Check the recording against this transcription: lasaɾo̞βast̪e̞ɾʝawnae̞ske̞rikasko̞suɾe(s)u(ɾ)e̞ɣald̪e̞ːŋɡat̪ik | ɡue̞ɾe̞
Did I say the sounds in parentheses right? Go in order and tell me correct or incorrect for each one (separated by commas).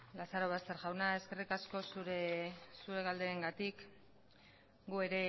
correct, correct